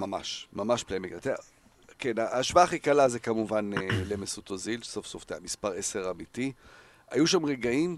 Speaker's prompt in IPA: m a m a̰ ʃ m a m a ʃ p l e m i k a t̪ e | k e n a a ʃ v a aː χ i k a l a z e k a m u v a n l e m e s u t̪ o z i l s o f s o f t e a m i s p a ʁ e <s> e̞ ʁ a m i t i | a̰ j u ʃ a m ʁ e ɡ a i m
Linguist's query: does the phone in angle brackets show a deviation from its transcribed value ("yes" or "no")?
no